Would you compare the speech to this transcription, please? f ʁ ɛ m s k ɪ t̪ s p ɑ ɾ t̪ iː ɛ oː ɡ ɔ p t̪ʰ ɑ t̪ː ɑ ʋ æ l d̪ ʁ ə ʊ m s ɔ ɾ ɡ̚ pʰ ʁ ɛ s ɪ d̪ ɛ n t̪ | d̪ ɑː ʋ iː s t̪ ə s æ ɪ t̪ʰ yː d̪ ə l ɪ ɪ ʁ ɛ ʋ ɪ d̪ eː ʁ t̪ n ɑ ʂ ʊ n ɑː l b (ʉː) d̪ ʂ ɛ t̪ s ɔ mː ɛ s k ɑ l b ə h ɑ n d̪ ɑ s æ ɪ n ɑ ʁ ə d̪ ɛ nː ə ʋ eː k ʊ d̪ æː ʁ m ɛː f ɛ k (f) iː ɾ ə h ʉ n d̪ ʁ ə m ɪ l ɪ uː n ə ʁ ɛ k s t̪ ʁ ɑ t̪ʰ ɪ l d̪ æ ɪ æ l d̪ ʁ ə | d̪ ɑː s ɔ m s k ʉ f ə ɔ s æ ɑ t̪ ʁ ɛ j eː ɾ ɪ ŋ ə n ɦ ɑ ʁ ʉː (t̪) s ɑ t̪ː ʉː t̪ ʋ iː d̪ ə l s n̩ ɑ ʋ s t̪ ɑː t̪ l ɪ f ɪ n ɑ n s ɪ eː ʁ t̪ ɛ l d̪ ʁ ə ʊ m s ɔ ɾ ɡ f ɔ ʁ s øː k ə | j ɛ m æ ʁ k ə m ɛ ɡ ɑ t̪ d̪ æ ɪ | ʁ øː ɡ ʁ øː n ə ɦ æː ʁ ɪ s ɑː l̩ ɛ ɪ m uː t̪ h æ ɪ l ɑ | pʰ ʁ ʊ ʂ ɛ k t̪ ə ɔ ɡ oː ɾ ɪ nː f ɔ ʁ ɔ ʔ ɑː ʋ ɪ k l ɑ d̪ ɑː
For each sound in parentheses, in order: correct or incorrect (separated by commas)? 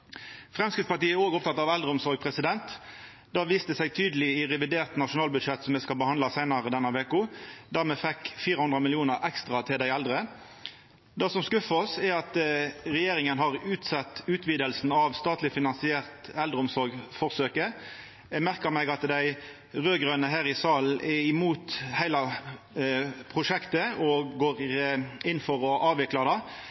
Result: incorrect, correct, correct